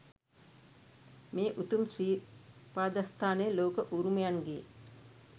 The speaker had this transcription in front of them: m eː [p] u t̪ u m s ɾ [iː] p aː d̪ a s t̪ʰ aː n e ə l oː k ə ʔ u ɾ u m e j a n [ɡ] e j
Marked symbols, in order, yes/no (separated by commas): no, yes, yes